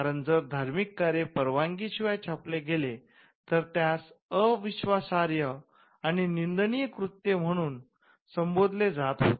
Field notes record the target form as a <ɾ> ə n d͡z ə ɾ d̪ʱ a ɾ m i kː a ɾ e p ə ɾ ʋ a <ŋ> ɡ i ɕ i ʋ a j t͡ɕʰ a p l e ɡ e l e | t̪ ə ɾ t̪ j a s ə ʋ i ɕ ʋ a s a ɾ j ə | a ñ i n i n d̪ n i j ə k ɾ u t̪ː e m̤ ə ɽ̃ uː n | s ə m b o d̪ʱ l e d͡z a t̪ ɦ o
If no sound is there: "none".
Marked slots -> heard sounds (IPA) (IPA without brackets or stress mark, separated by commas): ɾ, ŋ